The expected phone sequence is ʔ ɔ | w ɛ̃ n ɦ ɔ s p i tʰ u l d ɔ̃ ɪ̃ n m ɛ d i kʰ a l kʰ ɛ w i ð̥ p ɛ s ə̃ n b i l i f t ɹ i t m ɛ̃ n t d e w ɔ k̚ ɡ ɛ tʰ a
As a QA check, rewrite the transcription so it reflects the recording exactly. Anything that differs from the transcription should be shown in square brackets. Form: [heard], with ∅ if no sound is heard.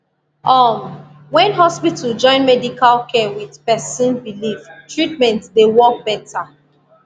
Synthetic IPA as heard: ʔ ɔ | w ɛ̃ n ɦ ɔ s p i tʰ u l [d͡ʒ] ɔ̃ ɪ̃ n m ɛ d i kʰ a l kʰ ɛ w i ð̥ p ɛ s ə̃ n b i l i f t ɹ i t m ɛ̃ n t d e w ɔ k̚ [b] ɛ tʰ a

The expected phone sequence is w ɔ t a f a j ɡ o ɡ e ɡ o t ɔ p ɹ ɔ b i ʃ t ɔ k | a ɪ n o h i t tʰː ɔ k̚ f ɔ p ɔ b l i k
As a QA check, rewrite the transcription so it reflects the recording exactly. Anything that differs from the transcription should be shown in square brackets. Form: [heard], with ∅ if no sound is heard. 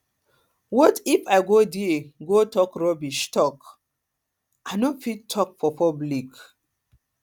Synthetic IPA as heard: w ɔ t [i] f a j ɡ o [d] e ɡ o t ɔ [k] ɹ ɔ b i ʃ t ɔ k | a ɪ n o [f] i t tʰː ɔ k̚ f ɔ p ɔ b l i k

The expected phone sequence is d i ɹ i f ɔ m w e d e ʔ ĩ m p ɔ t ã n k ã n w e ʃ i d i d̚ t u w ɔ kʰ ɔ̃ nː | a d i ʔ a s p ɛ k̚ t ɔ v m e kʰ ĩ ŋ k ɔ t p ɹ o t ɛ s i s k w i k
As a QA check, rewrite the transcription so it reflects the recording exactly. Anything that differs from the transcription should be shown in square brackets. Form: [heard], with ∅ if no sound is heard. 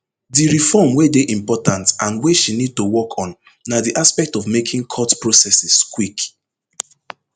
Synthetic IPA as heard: d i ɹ i f ɔ m w e d e ʔ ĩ m p ɔ t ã n [t] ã n w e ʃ i [n] i d̚ t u w ɔ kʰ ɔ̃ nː | a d i ʔ a s p ɛ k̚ t ɔ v m e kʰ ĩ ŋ [kʰ] ɔ t p ɹ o [s] ɛ s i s k w i k

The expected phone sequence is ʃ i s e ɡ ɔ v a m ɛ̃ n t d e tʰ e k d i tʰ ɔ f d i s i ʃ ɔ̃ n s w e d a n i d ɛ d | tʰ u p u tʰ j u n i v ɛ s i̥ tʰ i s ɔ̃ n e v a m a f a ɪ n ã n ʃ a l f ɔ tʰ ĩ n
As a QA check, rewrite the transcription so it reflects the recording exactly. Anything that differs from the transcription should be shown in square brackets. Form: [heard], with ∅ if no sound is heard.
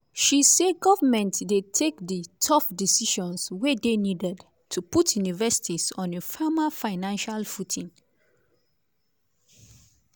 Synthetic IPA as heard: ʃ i s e ɡ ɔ v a m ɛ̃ n t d e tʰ e k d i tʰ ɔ f d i s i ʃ ɔ̃ n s w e d [e] n i d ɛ d | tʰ u p u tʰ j u n i v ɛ s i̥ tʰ i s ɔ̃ n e [f] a m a f a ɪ n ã n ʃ a l f [u] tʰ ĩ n

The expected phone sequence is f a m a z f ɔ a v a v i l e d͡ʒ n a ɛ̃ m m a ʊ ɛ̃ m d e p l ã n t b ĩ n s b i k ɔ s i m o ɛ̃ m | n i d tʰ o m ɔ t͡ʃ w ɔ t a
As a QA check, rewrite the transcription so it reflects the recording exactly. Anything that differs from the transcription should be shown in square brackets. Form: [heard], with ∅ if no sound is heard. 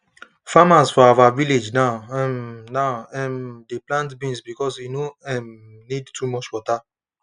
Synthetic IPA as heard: f a m a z f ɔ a v a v i l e d͡ʒ n a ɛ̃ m [n] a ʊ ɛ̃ m d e p l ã n t b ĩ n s b i k ɔ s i [n] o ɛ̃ m | n i d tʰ [u] m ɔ t͡ʃ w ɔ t a

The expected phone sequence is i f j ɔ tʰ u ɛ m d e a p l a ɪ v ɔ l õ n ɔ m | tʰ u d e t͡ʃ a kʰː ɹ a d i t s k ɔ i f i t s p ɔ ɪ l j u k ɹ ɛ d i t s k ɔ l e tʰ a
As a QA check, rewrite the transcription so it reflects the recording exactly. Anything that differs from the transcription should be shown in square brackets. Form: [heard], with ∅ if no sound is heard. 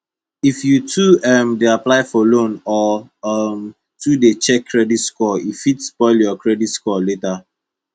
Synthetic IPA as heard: i f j [u] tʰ u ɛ m d e a p l a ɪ [f] ɔ l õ n ɔ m | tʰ u d e t͡ʃ [ɛ] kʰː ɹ [ɛ] d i t s k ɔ i f i t s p ɔ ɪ l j [ɔ] k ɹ ɛ d i t s k ɔ l e [t] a

